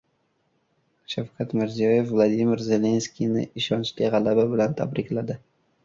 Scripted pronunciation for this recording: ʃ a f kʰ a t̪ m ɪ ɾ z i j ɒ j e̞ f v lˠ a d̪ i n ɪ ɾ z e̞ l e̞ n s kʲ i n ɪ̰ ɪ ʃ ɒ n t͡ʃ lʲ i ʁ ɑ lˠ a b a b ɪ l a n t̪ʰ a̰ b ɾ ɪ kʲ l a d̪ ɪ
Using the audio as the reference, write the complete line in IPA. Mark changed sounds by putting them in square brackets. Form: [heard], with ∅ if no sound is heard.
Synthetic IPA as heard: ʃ a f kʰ a t̪ m ɪ ɾ z i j ɒ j e̞ f v lˠ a d̪ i [m] ɪ ɾ z e̞ l e̞ n s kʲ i n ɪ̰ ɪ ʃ ɒ n t͡ʃ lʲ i ʁ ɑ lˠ a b a b ɪ l a n t̪ʰ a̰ b ɾ ɪ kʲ l a d̪ ɪ